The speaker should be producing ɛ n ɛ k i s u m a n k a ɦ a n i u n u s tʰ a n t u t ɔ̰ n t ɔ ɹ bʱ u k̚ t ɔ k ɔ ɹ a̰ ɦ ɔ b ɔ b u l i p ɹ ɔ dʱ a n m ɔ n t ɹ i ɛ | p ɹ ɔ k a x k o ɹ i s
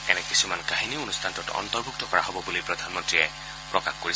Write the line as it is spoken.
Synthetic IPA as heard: ɛ n ɛ k i s u m a n k a ɦ i n i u n u s tʰ a n t ɔ t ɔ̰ n t ɔ ɹ bʱ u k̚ t ɔ k ɔ ɹ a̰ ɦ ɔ b ɔ b u l i p ɹ ɔ dʱ a n m ɔ n t ɹ i ɛ | p ɹ ɔ k a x k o ɹ i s